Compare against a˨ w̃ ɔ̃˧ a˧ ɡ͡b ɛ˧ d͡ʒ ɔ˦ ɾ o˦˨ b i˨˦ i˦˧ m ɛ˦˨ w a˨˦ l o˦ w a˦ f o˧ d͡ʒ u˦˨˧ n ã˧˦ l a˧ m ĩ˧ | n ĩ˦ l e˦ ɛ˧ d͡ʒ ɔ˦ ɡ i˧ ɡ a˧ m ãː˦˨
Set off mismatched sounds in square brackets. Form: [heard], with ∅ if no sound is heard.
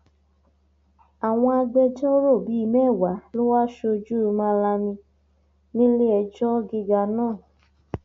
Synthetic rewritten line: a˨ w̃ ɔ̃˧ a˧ ɡ͡b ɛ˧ d͡ʒ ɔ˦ ɾ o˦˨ b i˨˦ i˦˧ m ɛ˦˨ w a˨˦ l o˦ w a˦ [ʃ] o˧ d͡ʒ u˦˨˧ [m] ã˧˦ l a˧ m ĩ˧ | n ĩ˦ l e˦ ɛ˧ d͡ʒ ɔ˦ ɡ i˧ ɡ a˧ [n] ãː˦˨